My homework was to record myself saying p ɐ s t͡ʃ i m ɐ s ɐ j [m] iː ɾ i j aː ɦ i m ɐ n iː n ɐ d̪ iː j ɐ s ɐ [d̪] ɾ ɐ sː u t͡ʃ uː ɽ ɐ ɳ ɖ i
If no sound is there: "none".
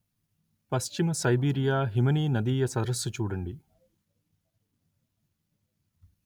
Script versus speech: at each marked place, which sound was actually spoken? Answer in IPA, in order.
b, d̪

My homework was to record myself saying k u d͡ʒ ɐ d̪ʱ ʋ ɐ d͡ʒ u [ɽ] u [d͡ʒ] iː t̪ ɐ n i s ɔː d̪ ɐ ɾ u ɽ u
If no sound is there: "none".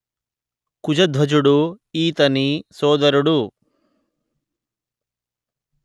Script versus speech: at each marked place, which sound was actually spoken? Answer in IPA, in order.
ɽ, none

